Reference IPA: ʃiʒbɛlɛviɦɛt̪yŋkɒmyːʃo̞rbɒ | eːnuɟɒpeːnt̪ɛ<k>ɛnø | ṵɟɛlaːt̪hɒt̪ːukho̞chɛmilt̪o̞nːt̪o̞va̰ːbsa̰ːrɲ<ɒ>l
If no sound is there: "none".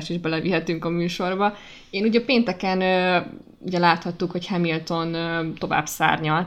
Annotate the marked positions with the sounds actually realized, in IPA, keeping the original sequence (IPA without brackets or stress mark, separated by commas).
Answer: k, ɒ